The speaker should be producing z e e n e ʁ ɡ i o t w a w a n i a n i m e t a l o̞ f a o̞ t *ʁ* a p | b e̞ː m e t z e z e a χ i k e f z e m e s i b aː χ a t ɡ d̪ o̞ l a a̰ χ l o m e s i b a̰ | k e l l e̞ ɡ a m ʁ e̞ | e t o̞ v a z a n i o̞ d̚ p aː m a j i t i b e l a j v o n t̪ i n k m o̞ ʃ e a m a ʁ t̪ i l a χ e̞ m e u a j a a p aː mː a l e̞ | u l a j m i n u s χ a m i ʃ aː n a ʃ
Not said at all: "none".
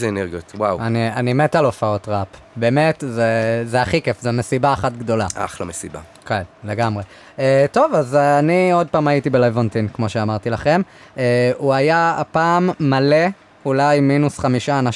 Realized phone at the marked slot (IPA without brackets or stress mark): ʁ